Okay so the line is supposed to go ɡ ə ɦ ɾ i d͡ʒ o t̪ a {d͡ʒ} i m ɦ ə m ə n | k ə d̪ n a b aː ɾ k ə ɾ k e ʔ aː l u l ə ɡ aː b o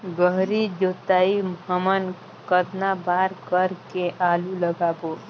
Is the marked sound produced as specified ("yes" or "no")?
no